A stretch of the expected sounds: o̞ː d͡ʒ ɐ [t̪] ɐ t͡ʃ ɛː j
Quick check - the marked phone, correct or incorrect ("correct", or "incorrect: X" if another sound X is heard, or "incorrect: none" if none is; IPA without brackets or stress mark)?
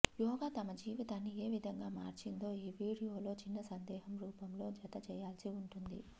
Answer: correct